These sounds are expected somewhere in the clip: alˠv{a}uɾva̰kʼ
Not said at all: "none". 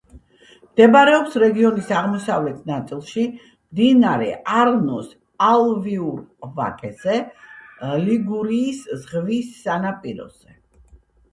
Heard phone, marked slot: i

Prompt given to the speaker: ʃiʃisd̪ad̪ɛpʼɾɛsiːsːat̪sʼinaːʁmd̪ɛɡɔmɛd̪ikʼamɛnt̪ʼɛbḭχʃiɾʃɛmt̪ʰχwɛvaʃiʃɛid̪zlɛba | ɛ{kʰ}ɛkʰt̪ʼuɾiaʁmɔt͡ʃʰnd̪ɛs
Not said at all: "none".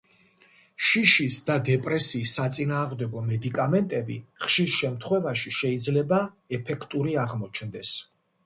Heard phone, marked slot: pʰ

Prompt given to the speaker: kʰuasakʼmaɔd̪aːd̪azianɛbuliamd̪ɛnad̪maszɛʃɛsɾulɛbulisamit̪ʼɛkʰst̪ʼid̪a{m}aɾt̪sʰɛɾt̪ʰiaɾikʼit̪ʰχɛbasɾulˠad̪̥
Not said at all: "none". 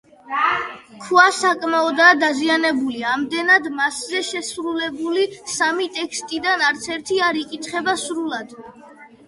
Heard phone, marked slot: n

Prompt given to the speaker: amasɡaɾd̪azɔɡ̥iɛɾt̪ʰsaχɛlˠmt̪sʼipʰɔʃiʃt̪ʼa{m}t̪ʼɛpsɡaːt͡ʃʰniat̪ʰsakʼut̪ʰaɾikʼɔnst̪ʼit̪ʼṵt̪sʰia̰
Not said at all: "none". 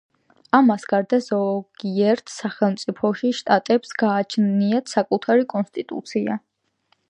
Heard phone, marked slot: none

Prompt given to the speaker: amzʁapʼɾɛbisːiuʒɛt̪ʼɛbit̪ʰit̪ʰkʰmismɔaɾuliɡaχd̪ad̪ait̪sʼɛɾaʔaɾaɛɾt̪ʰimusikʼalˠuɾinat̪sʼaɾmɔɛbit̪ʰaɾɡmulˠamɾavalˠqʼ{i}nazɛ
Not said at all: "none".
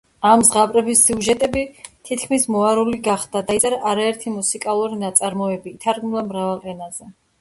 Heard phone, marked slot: ɛ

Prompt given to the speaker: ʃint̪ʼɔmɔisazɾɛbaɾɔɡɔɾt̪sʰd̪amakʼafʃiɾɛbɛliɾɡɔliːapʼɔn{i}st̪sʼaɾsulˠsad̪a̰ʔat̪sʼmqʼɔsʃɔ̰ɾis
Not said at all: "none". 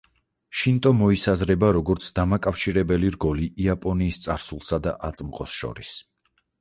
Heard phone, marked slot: iː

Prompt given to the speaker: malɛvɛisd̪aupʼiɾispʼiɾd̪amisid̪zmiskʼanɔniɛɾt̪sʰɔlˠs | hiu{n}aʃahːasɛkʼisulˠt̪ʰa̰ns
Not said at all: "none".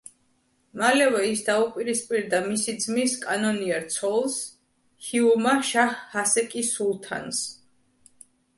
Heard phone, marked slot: m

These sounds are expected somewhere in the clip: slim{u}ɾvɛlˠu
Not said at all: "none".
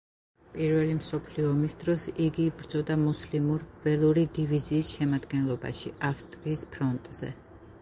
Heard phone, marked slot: u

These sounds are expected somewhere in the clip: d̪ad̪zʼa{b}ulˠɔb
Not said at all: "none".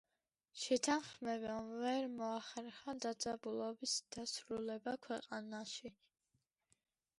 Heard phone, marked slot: b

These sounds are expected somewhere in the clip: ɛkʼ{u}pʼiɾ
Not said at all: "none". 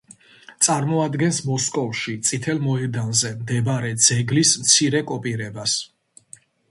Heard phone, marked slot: ɔ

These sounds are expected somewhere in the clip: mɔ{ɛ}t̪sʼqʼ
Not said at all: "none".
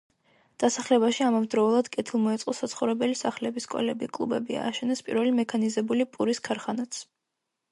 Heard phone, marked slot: ɛ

